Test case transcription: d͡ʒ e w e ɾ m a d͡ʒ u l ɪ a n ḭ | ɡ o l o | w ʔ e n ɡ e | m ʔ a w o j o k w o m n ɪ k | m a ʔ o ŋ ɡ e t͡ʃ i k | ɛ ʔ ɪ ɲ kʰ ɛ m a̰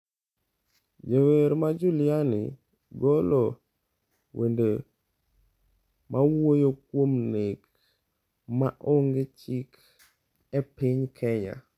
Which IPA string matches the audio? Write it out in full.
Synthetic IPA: d͡ʒ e w e ɾ m a d͡ʒ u l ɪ a n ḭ | ɡ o l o | w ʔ e n d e | m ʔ a w o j o k w o m n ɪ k | m a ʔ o ŋ ɡ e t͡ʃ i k | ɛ p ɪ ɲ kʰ ɛ ɲ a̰